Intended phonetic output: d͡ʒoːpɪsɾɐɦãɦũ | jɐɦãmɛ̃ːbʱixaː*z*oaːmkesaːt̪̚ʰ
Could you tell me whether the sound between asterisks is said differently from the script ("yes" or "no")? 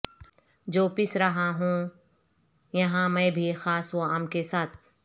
yes